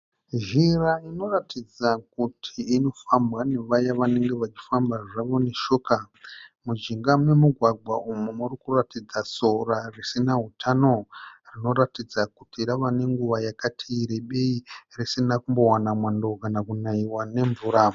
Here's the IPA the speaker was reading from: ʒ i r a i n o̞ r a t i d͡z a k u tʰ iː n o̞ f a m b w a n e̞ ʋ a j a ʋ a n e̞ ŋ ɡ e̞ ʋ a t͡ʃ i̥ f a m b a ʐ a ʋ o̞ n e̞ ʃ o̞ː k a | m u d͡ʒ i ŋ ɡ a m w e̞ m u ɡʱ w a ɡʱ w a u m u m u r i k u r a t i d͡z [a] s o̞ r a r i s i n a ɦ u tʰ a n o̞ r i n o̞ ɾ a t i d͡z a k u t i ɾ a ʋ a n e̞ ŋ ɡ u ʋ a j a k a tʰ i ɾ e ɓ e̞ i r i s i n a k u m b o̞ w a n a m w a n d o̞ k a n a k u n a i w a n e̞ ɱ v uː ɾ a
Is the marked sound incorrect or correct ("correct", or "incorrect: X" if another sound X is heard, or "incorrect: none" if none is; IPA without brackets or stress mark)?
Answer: correct